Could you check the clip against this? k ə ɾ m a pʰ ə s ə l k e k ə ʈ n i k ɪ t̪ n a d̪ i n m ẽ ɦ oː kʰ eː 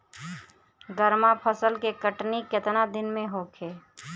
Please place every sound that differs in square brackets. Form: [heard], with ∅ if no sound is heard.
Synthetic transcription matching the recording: [ɡ] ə ɾ m a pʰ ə s ə l k e k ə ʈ n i k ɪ t̪ n a d̪ [ɪ] n m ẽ ɦ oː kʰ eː